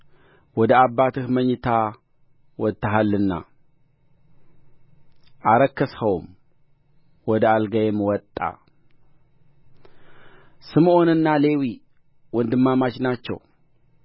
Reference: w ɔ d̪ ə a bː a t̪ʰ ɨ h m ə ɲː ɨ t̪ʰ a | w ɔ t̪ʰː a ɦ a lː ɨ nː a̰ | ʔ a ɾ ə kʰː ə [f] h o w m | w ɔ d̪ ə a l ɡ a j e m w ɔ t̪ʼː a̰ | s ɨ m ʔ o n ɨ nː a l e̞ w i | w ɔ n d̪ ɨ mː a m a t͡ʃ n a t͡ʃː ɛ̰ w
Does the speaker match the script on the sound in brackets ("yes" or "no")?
no